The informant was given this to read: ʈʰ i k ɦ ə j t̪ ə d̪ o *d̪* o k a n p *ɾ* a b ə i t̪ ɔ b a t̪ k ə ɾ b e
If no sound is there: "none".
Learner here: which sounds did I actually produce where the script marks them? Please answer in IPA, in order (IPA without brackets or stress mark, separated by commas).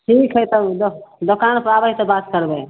d̪, ɾ